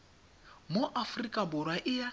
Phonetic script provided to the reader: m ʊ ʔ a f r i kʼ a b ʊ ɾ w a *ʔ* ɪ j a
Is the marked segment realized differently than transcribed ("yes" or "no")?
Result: no